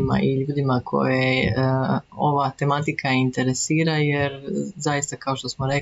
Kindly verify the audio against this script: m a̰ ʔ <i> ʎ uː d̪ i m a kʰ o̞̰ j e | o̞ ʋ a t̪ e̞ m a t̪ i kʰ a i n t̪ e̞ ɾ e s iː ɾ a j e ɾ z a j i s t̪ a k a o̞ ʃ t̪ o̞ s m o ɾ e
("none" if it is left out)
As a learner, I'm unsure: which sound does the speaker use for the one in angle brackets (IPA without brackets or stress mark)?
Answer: i